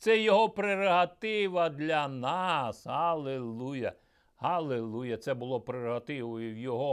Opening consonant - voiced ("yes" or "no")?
no